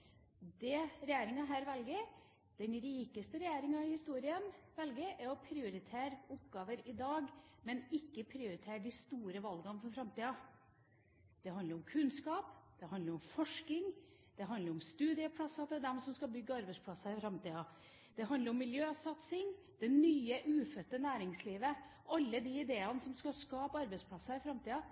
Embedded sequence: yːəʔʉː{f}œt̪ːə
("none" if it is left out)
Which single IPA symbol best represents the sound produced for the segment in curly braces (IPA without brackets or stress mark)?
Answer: f